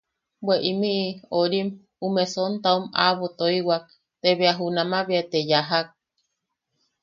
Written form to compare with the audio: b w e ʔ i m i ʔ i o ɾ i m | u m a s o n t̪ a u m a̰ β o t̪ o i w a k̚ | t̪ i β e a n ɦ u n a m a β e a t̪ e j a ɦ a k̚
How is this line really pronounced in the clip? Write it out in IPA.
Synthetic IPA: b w e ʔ i m i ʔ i o ɾ i m | u m e s o n t̪ a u m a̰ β o t̪ o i w a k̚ | t̪ e β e a ɦ u n a m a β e a t̪ e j a ɦ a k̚